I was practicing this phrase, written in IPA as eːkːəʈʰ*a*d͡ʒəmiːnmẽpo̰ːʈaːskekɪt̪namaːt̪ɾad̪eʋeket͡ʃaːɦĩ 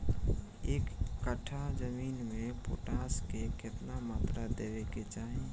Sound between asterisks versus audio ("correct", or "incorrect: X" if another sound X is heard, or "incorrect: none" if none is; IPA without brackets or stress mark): correct